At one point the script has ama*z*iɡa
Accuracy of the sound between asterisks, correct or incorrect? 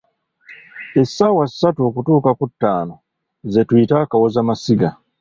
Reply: incorrect